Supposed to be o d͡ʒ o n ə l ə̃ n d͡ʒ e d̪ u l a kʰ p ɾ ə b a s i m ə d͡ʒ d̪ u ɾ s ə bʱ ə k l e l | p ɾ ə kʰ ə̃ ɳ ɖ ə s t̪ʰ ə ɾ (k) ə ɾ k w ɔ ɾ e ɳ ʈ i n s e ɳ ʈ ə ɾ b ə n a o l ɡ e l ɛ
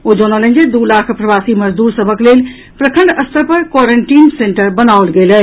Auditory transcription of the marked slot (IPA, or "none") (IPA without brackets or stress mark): p